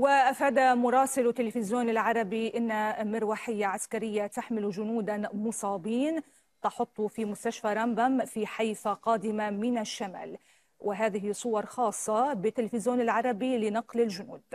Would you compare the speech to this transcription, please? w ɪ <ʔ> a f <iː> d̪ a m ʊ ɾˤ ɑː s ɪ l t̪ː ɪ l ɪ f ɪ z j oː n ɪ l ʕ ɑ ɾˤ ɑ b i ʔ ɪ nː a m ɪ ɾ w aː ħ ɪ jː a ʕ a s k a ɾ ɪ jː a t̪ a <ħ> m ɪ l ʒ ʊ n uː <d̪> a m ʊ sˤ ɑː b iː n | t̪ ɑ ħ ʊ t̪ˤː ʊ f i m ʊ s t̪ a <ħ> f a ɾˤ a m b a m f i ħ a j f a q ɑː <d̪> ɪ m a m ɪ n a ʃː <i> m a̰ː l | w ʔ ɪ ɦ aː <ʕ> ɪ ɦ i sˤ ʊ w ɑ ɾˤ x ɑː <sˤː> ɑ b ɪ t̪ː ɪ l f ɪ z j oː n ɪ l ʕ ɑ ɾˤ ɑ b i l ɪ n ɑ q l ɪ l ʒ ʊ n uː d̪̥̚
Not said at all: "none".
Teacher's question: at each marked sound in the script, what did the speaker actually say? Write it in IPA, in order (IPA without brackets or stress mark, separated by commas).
ʔ, aː, ħ, d̪, ʃ, d̪, a, ð, sˤː